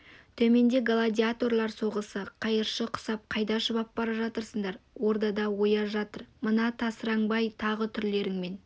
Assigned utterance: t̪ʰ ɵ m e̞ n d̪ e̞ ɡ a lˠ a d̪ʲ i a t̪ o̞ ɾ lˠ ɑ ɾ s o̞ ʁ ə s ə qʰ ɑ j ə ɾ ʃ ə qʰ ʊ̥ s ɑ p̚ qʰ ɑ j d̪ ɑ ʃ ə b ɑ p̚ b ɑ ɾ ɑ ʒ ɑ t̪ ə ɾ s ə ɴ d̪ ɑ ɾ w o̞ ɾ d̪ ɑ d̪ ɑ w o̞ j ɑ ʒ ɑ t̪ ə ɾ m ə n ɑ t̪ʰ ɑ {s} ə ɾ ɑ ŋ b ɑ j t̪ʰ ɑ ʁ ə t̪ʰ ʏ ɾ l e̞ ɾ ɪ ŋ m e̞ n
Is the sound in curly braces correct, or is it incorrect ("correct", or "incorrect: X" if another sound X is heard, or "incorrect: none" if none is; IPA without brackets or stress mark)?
correct